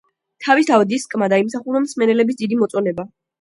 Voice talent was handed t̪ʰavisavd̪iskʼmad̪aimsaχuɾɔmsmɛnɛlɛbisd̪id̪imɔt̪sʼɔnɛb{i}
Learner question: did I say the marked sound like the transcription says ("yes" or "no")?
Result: no